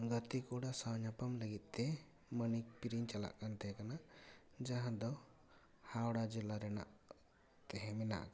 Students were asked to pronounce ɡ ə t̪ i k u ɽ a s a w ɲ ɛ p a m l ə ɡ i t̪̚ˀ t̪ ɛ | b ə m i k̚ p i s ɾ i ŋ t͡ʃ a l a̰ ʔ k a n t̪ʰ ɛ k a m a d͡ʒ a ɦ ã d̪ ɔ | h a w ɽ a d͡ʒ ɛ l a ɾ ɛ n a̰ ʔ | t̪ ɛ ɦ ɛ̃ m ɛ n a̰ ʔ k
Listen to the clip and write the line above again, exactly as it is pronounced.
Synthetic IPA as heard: ɡ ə t̪ i k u ɽ a s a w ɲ a p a m l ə ɡ i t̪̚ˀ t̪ ɛ | m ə n i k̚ p i ɾ i ɲ t͡ʃ a l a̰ ʔ k a n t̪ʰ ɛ k a n a d͡ʒ a ɦ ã d̪ ɔ | h a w ɽ a d͡ʒ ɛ l a ɾ ɛ n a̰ ʔ | t̪ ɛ ɦ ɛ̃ m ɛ n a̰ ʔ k